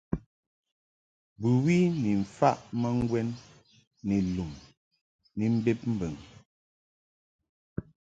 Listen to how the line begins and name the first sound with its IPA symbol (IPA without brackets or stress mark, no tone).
b